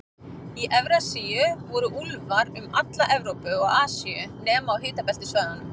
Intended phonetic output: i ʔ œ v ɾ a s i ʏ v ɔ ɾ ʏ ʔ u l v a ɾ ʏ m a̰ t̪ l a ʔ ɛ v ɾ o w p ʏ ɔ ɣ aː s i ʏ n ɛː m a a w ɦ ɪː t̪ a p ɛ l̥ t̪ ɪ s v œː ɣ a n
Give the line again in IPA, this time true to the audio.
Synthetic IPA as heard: i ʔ ɛ v ɾ a s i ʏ v ɔ ɾ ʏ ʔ u l v a ɾ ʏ m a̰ t̪ l a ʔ ɛ v ɾ o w p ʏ ɔ ɣ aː s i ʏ n ɛː m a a w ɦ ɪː t̪ a p ɛ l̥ t̪ ɪ s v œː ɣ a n